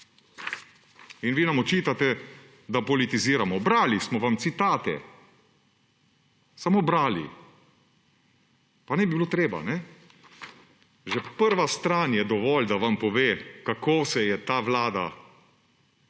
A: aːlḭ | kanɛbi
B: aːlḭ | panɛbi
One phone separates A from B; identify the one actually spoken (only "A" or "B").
B